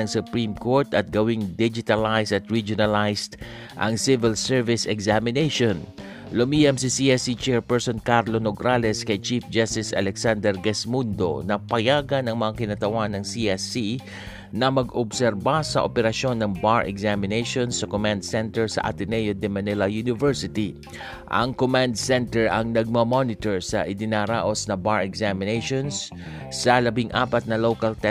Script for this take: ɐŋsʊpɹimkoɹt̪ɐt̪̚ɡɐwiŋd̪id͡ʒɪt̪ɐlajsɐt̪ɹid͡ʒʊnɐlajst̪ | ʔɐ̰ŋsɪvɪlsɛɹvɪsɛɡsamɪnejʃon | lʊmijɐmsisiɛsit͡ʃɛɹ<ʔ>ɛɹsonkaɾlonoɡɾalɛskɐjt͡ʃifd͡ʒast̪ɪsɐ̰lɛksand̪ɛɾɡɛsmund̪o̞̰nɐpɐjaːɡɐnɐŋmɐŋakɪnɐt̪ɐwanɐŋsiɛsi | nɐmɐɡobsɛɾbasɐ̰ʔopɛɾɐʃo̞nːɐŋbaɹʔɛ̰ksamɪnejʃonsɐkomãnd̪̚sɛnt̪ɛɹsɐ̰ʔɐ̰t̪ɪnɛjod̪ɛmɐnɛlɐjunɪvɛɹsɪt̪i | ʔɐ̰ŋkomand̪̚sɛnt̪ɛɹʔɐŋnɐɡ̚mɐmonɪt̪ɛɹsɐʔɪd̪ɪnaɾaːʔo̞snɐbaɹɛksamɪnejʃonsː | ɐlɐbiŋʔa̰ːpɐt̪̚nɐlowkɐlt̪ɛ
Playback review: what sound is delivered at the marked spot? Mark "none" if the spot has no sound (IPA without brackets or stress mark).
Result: p